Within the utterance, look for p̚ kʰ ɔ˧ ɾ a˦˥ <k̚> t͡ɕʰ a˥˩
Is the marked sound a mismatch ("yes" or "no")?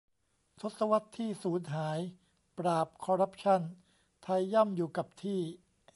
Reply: yes